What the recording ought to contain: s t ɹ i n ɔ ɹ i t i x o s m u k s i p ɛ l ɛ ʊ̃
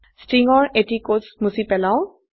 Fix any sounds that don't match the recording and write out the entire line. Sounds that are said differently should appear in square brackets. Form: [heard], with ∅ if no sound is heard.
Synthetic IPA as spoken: s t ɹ i [ŋ] ɔ ɹ [e] t i [k] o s m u [∅] s i p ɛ l [a] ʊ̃